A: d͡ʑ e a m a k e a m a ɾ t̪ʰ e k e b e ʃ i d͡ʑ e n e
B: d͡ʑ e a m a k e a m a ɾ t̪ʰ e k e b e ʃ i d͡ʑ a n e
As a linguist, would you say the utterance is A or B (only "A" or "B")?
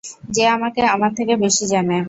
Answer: B